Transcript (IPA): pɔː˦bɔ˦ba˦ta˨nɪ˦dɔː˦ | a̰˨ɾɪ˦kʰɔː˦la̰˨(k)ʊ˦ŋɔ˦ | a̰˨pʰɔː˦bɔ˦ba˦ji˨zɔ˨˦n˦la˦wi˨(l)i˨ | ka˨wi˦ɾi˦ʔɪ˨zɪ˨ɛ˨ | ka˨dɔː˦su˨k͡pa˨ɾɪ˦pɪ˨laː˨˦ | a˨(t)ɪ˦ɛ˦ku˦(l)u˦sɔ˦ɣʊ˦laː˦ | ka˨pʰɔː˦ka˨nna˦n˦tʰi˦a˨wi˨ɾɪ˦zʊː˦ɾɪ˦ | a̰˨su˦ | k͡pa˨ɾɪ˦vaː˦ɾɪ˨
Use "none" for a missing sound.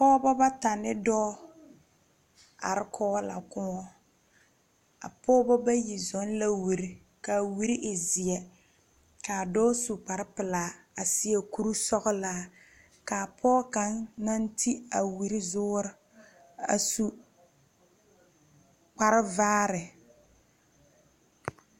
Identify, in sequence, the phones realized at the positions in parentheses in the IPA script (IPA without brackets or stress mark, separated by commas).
k, ɾ, s, ɾ